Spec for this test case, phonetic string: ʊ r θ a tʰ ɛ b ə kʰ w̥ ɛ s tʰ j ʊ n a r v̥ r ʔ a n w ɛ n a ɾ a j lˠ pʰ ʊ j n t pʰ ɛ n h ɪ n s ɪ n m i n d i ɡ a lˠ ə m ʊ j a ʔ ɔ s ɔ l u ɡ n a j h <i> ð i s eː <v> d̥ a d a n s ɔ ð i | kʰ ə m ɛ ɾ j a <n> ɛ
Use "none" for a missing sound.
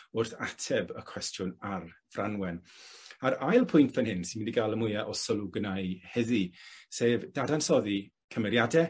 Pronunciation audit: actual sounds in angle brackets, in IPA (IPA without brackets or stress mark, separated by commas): ɛ, v, d